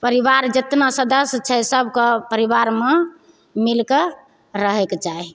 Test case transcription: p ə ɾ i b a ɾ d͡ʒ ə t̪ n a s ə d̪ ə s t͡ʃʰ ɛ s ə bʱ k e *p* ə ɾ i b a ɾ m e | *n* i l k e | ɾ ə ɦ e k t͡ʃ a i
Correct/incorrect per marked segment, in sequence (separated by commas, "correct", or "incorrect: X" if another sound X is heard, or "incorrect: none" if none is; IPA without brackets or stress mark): correct, incorrect: m